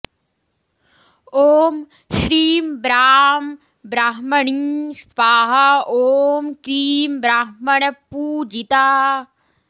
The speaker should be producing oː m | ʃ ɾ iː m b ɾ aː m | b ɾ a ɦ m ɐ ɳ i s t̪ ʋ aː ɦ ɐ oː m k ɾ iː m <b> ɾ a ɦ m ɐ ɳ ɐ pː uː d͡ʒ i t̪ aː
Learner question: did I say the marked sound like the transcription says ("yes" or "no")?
yes